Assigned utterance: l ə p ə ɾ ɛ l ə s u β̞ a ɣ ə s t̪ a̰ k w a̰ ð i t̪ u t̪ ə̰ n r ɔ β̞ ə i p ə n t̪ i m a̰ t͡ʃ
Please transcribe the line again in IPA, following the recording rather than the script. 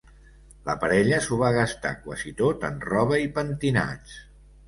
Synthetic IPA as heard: l ə p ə ɾ ɛ ʎ ə s u β̞ a ɣ ə s t̪ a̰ k w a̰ z i t̪ o t̪ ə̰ n r ɔ β̞ ə i p ə n t̪ i n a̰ t͡ʃ